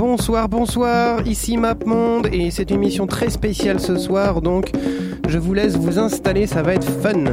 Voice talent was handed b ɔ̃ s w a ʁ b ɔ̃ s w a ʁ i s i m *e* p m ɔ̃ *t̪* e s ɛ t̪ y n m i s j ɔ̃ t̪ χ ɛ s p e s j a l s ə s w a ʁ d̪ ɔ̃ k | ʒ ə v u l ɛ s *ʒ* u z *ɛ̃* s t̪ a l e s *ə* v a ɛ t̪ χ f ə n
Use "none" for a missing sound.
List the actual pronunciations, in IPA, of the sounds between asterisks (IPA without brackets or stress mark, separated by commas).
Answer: a, d̪, v, ɛ̃, a